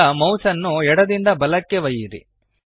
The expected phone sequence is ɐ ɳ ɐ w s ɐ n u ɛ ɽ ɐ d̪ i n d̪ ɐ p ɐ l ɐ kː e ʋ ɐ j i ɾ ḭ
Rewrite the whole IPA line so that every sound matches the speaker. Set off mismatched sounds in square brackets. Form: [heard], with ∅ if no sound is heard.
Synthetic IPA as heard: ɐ [m] ɐ w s ɐ [nː] u ɛ ɽ ɐ d̪ i n d̪ ɐ [b] ɐ l ɐ kː e ʋ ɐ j i ɾ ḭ